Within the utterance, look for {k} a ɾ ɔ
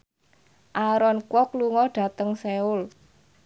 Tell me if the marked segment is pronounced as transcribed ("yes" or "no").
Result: no